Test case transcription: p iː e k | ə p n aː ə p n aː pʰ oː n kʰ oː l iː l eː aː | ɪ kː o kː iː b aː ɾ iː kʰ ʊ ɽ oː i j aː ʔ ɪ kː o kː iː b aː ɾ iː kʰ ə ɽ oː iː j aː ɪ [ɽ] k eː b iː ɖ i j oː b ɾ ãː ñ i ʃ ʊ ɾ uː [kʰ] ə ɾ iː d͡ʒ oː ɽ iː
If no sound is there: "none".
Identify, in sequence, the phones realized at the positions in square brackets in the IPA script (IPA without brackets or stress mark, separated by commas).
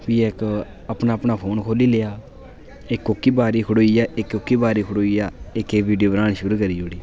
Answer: none, k